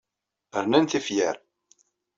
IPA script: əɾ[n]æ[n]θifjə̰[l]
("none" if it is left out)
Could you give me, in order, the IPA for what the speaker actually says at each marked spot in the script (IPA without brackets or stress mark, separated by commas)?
n, n, ɾ